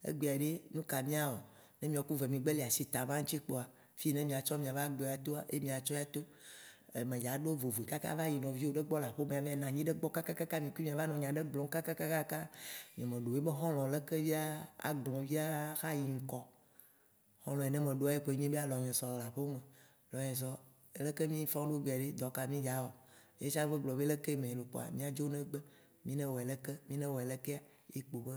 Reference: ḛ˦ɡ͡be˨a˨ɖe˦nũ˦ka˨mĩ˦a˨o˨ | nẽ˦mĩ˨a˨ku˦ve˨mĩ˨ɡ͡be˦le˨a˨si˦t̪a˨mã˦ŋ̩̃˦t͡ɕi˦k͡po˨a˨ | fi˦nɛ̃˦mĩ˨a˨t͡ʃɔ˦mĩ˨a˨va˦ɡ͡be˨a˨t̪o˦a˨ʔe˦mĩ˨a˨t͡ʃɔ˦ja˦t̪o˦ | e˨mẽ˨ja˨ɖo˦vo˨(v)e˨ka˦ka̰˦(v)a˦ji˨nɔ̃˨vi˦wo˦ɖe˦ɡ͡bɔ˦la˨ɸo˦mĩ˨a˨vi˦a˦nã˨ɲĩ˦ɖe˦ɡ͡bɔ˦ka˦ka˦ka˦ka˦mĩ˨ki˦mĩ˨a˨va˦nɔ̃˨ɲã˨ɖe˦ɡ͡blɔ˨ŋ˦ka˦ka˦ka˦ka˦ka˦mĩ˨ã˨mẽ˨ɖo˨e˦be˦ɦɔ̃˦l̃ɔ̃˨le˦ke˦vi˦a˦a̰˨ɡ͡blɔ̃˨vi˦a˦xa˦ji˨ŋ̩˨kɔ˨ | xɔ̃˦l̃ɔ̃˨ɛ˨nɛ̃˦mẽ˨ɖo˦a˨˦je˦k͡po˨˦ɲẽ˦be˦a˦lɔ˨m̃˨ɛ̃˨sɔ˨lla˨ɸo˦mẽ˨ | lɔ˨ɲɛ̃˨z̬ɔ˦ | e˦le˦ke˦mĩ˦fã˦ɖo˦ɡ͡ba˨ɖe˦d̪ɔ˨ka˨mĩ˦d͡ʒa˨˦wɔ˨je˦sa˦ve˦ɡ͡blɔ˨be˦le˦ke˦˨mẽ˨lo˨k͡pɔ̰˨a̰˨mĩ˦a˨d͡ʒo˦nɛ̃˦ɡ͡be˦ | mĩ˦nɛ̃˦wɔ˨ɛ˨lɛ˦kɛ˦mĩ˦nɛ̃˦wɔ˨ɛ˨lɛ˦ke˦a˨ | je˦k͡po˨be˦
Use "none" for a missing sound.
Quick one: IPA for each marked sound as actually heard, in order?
v, v

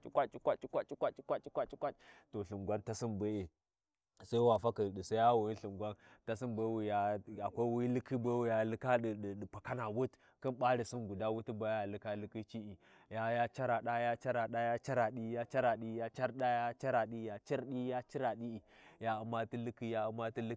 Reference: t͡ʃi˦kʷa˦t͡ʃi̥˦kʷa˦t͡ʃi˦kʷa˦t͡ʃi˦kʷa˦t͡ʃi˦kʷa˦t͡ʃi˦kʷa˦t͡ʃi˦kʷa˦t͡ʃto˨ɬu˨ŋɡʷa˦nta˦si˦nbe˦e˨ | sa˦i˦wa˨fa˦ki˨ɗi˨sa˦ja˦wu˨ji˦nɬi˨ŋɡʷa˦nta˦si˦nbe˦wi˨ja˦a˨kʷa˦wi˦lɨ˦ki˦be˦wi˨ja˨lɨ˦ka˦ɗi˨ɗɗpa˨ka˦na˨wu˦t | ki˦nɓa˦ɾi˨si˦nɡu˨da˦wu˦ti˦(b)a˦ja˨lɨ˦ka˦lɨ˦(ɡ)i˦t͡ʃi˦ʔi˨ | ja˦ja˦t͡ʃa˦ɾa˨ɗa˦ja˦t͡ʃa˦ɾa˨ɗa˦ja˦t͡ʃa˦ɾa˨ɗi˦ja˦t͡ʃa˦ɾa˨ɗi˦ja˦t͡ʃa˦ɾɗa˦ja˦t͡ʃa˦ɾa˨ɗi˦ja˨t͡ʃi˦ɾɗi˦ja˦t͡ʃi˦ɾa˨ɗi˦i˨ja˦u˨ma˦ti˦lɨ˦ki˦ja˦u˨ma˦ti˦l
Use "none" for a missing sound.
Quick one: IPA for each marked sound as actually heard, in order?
b, k

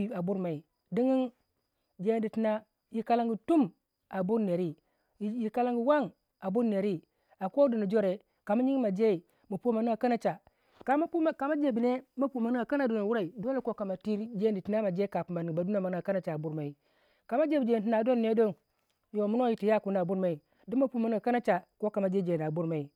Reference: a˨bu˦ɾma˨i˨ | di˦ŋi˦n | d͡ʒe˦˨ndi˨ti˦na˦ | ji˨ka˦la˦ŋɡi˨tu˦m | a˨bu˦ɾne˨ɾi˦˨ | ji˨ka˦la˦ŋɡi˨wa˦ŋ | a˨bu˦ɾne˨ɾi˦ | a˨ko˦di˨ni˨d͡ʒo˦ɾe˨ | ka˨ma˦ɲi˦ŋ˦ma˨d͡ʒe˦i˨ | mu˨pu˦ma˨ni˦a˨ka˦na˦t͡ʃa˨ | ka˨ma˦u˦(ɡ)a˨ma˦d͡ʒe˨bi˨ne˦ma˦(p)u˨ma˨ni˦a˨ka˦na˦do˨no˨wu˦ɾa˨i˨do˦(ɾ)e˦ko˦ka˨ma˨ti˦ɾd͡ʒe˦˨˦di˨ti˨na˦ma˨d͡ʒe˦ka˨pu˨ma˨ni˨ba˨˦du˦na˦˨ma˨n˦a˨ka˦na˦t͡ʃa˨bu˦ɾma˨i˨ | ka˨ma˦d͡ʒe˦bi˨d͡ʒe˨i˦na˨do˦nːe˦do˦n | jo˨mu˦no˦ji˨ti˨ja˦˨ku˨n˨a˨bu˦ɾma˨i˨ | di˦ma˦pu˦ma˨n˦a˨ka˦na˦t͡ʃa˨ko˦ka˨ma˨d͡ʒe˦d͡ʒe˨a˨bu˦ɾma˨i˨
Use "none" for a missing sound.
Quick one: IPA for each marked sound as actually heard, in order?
k, p, l

